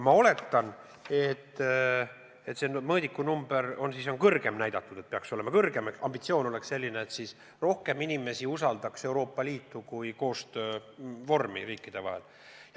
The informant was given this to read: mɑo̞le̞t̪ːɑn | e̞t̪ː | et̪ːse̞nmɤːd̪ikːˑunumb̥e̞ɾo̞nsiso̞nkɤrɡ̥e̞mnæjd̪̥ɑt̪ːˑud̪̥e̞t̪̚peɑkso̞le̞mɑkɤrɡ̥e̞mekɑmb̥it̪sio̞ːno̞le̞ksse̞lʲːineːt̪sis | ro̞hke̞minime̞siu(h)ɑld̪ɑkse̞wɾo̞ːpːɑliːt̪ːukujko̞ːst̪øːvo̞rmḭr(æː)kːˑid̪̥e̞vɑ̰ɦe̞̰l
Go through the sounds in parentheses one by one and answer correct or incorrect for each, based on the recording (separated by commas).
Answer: incorrect, incorrect